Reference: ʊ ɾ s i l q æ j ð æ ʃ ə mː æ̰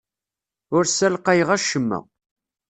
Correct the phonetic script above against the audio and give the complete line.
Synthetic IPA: ʊ ɾ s æ l q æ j ʁ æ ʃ ə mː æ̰

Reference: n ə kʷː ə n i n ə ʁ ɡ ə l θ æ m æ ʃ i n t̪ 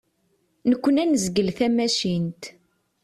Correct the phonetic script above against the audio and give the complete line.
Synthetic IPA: n ə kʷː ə n æ n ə z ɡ ə l θ æ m æ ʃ i n t̪

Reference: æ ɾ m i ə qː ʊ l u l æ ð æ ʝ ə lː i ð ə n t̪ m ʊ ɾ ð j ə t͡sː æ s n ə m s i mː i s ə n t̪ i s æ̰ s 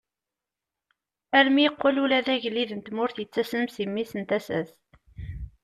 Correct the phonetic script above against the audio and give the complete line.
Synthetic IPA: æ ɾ m i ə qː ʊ l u l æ ð æ ʝ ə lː i ð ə n t̪ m ʊ ɾ θ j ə t͡sː æ s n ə m s i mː i s ə n t̪ æ s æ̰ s

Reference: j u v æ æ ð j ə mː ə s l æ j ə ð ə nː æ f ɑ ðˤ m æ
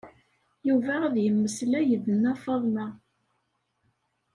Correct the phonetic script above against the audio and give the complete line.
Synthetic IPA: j u v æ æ ð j ə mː ə s l æ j ə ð ə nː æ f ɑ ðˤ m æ

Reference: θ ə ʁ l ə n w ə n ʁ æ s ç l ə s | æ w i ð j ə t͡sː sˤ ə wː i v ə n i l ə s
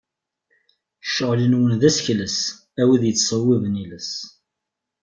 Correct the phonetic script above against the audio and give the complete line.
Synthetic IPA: ʃ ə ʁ l ə n w ə n ð æ s ç l ə s | æ w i ð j ə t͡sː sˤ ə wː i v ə n i l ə s

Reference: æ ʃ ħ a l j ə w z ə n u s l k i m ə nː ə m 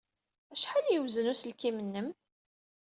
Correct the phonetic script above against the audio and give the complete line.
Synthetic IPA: æ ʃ ħ a l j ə w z ə n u s l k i m ə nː ə m

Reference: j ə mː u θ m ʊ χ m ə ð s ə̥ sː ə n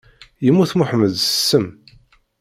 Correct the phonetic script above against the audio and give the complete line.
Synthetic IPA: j ə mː u θ m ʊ ħ m ə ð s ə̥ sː ə m

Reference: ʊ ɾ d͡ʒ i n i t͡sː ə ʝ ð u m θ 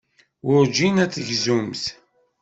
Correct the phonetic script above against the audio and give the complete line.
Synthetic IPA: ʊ ɾ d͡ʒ i n æ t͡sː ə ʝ z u m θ

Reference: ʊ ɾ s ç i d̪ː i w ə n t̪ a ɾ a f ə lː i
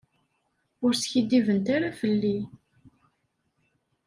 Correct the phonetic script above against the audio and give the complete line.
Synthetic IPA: ʊ ɾ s ç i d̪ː i v ə n t̪ a ɾ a f ə lː i

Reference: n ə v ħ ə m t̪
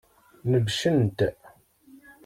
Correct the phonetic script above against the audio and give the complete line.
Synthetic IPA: n ə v ʃ ə n t̪

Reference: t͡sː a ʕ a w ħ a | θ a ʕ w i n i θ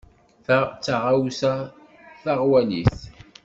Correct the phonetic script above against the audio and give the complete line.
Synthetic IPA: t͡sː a ʁ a w s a | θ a ʁ w æ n i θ

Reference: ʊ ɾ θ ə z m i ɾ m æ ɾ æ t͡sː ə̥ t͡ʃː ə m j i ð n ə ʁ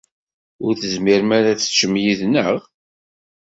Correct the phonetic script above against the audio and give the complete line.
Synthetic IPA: ʊ ɾ θ ə z m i ɾ m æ ɾ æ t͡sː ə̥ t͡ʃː ə m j i ð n ə ʁ

